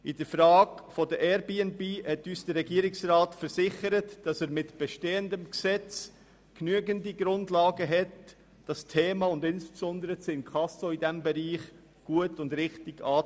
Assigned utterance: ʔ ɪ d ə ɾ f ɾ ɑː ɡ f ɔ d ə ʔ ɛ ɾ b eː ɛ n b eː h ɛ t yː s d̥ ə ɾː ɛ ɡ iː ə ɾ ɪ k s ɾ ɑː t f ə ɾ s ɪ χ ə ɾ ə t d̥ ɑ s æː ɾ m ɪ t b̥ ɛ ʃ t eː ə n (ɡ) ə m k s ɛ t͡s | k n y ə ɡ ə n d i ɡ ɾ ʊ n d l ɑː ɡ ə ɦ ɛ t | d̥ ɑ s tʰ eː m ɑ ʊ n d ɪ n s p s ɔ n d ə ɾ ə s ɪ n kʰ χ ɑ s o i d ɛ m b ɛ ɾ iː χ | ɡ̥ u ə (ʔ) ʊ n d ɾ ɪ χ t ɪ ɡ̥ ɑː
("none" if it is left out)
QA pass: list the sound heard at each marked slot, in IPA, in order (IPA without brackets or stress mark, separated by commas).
d, t